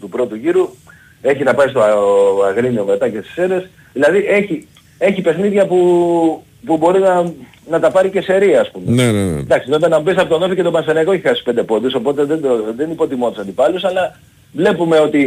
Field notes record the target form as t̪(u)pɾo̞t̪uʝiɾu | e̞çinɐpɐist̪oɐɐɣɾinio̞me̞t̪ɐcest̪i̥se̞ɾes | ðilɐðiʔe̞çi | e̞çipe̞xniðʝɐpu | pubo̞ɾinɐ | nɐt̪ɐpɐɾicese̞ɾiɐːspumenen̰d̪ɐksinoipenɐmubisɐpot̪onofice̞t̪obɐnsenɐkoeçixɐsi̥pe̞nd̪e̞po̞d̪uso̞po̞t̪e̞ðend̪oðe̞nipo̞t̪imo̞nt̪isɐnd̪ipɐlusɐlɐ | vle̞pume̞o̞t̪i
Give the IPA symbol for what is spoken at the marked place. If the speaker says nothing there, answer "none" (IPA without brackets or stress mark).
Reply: u